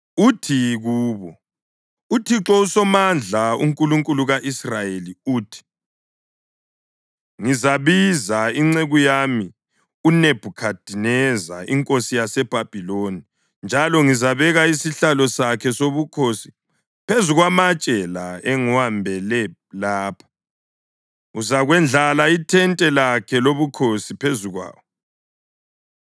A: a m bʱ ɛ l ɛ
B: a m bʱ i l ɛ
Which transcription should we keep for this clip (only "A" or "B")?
A